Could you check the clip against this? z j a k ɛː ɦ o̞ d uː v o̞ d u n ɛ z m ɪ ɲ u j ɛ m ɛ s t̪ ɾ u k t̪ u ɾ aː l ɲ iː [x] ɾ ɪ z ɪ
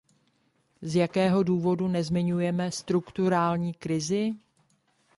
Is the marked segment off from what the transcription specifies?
yes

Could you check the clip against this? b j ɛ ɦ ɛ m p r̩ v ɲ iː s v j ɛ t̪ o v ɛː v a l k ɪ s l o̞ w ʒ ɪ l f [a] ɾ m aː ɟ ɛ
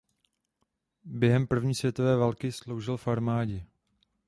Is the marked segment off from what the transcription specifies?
no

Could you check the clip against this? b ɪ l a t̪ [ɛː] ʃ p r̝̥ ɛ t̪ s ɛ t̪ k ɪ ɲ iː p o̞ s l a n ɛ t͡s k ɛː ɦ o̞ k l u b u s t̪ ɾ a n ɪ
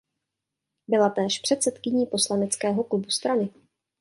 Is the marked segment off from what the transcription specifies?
no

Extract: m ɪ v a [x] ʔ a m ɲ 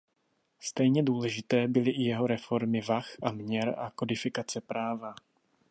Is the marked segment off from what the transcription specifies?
no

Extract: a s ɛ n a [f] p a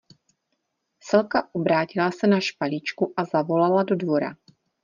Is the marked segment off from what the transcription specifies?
yes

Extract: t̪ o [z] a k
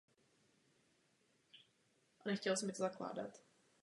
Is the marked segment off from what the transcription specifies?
no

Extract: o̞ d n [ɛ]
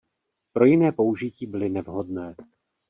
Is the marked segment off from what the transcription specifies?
yes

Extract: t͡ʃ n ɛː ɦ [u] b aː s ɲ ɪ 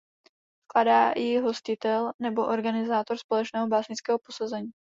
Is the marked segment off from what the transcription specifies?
yes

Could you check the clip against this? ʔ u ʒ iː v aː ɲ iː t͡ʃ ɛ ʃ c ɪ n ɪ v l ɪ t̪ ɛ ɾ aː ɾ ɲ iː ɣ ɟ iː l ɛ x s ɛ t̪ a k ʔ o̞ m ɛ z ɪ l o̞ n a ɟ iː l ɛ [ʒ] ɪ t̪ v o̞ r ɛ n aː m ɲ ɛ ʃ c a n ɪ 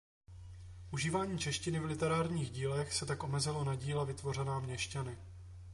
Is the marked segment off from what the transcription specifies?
yes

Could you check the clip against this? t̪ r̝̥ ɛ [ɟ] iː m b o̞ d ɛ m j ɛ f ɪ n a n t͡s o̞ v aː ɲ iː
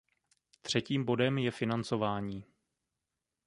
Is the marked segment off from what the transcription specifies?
yes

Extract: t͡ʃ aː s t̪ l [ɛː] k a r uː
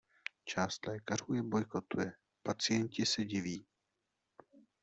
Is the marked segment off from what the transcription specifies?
no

